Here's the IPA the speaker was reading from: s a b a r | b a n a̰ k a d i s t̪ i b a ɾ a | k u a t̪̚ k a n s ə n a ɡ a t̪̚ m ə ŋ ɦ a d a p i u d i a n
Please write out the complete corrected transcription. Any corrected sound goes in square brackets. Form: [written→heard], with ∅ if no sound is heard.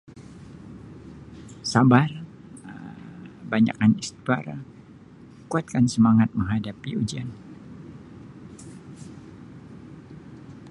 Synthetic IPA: s a b a r | b a [n→ɲ] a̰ k a [d→n] i s t̪ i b a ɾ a | k u a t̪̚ k a n s ə [n→m] a [ɡ→ŋ] a t̪̚ m ə ŋ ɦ a d a p i u [d→d͡ʒ] i a n